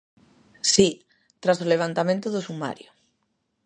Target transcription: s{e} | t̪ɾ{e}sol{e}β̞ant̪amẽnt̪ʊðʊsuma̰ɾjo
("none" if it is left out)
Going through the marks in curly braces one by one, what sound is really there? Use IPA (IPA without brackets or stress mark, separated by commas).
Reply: i, a, e